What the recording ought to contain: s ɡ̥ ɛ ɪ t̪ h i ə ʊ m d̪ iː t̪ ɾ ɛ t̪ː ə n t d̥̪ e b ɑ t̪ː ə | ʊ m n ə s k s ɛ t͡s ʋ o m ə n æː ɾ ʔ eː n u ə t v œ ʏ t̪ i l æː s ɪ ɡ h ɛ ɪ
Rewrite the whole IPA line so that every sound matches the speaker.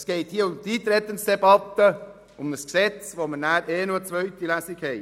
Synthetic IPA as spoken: s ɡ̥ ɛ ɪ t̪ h i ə ʊ m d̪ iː t̪ ɾ ɛ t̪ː ə n s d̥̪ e b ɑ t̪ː ə | ʊ m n ə s k s ɛ t͡s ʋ o m ə n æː ɾ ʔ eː n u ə t͡s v œ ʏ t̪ i l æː s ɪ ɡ h ɛ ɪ